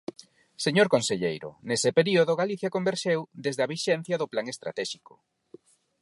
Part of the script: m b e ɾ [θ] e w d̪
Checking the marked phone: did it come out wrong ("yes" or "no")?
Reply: yes